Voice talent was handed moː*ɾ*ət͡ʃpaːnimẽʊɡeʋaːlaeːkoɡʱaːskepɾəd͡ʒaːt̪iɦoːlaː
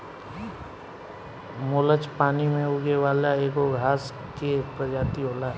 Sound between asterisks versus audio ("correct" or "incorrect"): incorrect